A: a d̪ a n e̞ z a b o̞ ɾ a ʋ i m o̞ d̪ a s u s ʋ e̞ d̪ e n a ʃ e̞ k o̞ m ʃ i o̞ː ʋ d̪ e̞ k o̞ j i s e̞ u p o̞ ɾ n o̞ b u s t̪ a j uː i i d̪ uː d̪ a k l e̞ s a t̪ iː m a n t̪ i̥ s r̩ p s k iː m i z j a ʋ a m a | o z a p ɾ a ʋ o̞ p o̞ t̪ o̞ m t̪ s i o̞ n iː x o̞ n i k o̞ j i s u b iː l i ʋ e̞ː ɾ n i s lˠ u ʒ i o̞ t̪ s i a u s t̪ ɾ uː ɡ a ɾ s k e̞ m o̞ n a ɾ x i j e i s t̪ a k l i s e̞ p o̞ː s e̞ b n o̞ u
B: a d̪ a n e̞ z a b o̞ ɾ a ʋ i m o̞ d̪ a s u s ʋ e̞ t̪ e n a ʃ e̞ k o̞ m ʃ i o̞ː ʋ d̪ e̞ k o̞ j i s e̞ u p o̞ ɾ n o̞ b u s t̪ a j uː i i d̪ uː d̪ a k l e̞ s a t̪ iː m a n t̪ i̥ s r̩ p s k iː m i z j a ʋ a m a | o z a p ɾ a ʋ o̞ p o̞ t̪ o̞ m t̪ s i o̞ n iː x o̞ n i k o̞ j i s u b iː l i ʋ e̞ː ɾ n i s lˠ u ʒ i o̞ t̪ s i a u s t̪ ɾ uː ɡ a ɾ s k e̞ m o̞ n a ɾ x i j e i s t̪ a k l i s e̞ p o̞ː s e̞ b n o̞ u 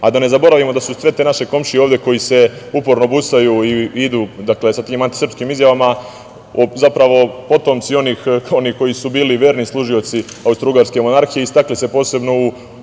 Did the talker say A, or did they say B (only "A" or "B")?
B